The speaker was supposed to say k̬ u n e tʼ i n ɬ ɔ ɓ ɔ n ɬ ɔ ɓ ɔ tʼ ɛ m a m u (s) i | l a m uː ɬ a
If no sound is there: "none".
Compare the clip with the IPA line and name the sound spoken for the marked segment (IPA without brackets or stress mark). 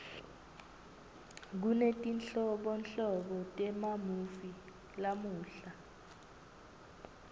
f